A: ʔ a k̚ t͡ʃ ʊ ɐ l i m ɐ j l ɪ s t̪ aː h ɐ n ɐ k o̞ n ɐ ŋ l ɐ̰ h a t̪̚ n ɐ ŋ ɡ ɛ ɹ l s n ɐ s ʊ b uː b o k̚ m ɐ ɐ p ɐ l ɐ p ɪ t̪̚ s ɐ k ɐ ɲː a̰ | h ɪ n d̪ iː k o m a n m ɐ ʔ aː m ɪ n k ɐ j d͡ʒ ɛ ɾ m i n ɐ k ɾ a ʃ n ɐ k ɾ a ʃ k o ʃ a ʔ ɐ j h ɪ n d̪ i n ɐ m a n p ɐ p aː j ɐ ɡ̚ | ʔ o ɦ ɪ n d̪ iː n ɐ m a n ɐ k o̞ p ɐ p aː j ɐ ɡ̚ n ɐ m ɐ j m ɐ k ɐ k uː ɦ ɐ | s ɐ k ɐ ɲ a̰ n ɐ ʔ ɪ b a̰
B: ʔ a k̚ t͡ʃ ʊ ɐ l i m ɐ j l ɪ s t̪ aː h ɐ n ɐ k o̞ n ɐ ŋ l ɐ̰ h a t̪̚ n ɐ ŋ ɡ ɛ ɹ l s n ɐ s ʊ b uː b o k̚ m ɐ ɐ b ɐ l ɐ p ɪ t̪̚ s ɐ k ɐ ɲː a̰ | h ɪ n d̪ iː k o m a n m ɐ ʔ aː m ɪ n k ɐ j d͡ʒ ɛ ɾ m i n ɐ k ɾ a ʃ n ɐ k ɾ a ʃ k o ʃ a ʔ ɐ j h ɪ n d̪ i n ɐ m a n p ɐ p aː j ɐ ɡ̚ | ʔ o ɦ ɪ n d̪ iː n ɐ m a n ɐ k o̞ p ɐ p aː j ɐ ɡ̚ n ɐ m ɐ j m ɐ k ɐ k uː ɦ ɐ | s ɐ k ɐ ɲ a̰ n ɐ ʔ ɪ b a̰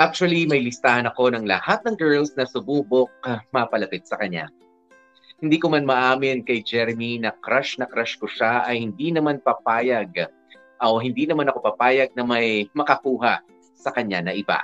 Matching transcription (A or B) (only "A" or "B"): A